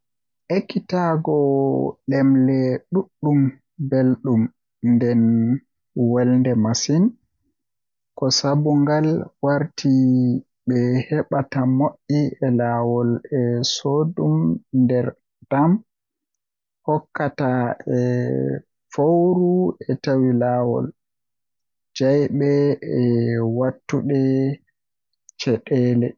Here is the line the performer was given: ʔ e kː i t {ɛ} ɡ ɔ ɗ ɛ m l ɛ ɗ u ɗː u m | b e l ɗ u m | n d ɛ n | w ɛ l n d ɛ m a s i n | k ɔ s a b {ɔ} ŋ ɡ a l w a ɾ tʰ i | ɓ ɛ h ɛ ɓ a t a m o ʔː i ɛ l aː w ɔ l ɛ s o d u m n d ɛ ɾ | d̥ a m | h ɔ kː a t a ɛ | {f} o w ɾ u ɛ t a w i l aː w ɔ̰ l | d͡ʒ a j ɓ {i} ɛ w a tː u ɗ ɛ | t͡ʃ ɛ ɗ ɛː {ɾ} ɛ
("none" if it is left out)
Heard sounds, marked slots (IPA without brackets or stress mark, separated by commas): a, u, f, ɛ, l